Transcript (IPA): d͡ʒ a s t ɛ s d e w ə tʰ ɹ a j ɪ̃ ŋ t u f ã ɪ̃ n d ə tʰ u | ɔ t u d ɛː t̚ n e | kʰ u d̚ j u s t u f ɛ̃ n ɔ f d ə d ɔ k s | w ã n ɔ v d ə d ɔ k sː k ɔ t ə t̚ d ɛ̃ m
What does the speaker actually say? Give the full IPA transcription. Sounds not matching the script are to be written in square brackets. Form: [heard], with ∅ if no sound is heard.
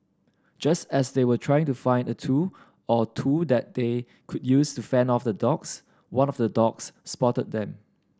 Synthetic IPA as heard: d͡ʒ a s t ɛ s d e w ə tʰ ɹ a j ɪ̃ ŋ t u f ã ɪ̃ n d ə tʰ u | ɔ [tʰ] u d [ɛ] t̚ [d] e | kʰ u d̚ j u s t u f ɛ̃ n ɔ f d ə d ɔ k s | w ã n ɔ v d ə d ɔ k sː [p] ɔ t ə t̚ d ɛ̃ m